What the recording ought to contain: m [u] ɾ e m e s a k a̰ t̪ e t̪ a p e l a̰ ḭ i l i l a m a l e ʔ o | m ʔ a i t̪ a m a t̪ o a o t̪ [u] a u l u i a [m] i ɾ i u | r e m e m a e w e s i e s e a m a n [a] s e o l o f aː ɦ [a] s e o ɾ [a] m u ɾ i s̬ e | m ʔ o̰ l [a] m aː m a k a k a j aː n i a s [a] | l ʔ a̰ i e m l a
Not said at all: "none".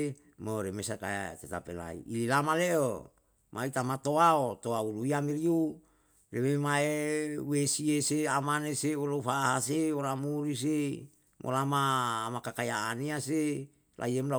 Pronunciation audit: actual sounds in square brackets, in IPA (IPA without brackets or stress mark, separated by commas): o, o, m, e, a, a, a, e